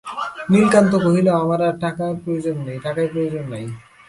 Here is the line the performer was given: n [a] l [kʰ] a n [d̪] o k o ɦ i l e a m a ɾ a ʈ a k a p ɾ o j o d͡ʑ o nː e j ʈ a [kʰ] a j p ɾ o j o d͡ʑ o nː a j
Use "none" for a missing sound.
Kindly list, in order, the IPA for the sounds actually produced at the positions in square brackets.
i, k, t̪, k

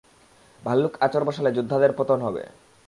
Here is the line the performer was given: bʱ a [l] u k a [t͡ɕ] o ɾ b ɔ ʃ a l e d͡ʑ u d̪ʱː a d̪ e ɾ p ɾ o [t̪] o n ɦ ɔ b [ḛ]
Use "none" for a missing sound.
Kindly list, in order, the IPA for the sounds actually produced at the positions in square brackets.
lː, t͡ɕ, t̪, ḛ

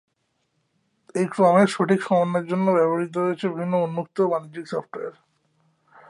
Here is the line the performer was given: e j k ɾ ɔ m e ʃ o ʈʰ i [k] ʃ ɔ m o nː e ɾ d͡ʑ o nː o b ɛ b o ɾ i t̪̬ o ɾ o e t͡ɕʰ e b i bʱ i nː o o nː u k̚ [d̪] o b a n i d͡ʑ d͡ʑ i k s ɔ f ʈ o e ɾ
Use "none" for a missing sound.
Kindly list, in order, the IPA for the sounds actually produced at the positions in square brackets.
k, t̪

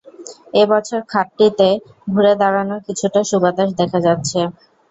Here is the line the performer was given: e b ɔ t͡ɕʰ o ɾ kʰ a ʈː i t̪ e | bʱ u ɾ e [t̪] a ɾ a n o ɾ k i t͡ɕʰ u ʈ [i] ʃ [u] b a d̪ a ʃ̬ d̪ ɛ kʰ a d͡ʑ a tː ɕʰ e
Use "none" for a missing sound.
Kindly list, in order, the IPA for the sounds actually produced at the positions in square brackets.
d̪, a, u

